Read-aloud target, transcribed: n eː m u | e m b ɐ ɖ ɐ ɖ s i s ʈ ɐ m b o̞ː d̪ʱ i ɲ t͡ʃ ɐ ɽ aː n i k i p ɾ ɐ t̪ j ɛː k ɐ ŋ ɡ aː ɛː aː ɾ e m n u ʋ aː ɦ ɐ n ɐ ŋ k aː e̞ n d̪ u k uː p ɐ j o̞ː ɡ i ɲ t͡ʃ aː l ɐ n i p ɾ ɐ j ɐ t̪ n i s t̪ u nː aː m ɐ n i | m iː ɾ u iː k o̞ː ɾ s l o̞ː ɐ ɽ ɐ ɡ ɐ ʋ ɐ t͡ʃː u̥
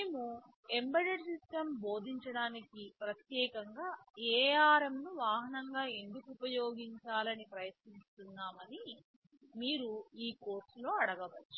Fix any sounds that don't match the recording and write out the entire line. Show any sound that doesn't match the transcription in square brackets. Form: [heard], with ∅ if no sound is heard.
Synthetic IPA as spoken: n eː m u | e m b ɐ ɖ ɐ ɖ s i s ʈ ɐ m b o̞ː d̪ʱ i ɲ t͡ʃ ɐ ɽ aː n i k i p ɾ ɐ t̪ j ɛː k ɐ ŋ ɡ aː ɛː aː ɾ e m n u ʋ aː ɦ ɐ n ɐ ŋ [ɡ] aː e̞ n d̪ u k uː p ɐ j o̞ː ɡ i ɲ t͡ʃ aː l ɐ n i p ɾ ɐ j ɐ t̪ n i s t̪ u nː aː m ɐ n i | m iː ɾ u iː k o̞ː ɾ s l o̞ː ɐ ɽ ɐ ɡ ɐ ʋ ɐ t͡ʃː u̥